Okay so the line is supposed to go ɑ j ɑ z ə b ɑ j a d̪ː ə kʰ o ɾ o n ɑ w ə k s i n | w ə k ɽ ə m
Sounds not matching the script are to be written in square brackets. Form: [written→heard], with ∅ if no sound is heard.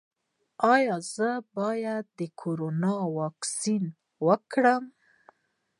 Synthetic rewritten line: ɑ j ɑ z ə b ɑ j a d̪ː ə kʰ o ɾ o n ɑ w [ə→ɑ] k s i n | w ə k ɽ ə m